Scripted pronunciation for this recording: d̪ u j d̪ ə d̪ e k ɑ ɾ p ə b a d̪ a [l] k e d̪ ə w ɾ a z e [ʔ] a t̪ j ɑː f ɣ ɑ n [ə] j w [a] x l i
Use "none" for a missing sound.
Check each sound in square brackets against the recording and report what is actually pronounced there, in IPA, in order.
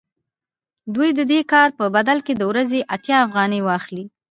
l, ʔ, ə, ɑ

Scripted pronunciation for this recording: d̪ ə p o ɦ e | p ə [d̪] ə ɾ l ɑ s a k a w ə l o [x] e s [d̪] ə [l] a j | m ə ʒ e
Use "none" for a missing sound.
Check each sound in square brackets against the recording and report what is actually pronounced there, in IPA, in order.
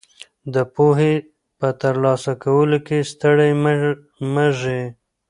t̪, k, t̪, ɽ

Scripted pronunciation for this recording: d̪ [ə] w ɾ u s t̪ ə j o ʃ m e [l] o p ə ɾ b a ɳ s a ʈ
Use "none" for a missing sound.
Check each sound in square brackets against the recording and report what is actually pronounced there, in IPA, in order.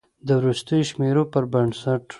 ə, ɾ

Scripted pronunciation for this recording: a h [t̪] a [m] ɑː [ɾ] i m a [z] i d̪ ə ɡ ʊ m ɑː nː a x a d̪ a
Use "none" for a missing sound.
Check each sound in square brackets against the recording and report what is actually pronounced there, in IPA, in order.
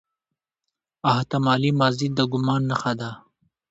t̪, m, l, z

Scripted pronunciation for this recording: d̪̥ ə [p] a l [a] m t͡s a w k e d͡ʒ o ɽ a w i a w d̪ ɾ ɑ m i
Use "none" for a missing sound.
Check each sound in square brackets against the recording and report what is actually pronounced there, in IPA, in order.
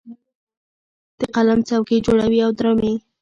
q, a

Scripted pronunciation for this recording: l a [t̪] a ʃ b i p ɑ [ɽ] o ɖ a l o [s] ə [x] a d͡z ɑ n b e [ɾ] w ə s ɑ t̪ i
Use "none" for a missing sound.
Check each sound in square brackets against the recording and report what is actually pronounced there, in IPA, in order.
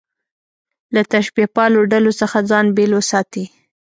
t̪, l, s, x, l

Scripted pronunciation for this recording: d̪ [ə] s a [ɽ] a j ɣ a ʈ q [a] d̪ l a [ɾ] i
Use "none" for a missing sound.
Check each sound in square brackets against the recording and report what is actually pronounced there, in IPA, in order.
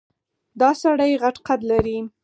ɑ, ɽ, a, ɾ

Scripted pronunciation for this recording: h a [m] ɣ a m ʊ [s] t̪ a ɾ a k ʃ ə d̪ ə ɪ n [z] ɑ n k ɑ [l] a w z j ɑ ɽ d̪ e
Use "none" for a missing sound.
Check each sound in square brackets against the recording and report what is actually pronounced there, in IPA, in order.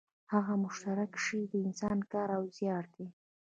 none, ʃ, s, ɾ

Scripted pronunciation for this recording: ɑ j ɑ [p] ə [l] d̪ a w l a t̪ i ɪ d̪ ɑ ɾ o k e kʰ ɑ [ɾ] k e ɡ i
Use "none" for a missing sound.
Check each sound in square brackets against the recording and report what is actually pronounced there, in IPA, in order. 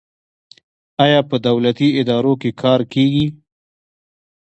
p, none, ɾ

